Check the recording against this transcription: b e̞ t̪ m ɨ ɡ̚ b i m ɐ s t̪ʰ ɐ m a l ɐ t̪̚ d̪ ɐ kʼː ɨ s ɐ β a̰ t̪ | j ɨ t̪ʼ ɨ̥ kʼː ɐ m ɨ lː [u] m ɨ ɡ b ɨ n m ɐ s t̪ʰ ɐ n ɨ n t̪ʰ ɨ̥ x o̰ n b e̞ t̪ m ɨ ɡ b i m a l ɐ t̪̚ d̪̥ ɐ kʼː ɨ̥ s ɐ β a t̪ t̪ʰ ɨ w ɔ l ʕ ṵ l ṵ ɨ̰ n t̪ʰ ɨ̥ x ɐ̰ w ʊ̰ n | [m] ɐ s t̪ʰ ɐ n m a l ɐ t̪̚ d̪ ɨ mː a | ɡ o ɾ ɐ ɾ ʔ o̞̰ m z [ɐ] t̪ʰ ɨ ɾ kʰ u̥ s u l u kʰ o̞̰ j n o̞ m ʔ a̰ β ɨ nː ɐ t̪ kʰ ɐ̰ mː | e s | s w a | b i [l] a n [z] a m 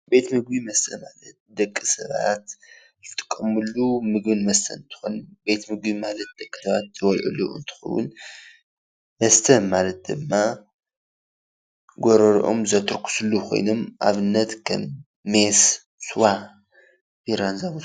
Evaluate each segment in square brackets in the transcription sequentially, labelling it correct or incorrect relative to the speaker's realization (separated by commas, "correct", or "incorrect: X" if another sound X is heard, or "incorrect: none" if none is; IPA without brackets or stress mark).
correct, correct, correct, incorrect: ɾ, correct